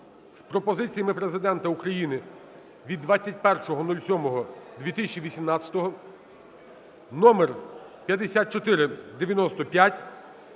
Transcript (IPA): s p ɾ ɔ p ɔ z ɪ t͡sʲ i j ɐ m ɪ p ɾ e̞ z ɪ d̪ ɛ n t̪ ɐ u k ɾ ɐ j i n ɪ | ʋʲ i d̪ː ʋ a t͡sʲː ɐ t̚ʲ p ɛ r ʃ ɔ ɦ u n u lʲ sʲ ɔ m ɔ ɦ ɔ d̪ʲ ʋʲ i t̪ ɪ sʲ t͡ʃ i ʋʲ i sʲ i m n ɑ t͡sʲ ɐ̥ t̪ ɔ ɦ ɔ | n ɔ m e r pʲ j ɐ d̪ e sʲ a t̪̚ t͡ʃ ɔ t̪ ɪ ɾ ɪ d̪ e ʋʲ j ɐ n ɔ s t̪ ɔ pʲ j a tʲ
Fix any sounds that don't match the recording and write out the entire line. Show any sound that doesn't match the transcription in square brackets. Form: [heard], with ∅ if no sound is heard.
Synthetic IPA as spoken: s p ɾ ɔ p ɔ z ɪ t͡sʲ i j ɐ m ɪ p ɾ e̞ z ɪ d̪ ɛ n t̪ ɐ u k ɾ ɐ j i n ɪ | ʋʲ i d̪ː ʋ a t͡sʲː ɐ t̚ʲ p ɛ r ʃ ɔ ɦ [ɔ] n u lʲ sʲ ɔ m ɔ ɦ ɔ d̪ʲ ʋʲ i t̪ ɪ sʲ t͡ʃ i ʋʲ i sʲ i m n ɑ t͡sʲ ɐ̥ t̪ ɔ ɦ ɔ | n ɔ m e r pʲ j ɐ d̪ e sʲ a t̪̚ t͡ʃ ɔ t̪ ɪ ɾ ɪ d̪ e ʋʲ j ɐ n ɔ s t̪ ɔ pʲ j a tʲ